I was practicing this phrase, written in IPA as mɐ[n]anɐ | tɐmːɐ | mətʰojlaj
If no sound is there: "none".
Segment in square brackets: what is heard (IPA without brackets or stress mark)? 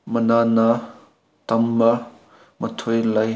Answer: n